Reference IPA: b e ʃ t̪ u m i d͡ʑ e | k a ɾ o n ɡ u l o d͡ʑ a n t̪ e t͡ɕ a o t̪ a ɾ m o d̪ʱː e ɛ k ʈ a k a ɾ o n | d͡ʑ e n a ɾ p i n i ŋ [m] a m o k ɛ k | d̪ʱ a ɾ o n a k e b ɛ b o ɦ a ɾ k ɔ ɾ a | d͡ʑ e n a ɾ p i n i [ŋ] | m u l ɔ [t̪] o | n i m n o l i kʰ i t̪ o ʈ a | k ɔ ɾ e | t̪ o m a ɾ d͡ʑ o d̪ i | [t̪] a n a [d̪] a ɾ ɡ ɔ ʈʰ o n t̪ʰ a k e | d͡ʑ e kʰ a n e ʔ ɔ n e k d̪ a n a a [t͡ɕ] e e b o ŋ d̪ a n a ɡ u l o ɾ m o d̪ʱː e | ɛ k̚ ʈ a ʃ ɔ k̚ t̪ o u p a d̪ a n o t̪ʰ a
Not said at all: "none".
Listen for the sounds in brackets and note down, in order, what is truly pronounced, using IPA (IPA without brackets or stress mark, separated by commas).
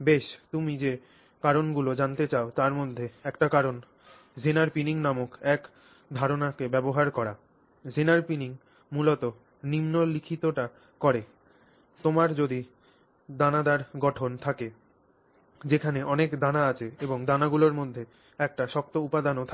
n, ŋ, t̪, d̪, d̪, t͡ɕʰ